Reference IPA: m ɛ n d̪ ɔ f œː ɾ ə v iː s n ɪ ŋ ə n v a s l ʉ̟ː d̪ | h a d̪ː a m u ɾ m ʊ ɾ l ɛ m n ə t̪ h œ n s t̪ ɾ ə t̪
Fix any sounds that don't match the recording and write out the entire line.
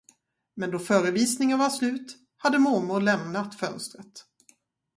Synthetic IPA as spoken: m ɛ n d̪ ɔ f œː ɾ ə v iː s n ɪ ŋ ə n v a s l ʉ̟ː t̪ | h a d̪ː ə m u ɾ m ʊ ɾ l ɛ m n a t̪ f œ n s t̪ ɾ ə t̪